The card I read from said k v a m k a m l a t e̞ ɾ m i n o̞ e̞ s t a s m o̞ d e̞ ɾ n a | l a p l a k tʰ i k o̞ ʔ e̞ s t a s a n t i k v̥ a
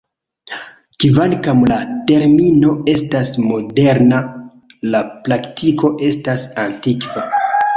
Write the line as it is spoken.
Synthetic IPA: k v a n k a m l a t e̞ ɾ m i n o̞ e̞ s t a s m o̞ d e̞ ɾ n a | l a p l a k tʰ i k o̞ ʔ e̞ s t a s a n t i k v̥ a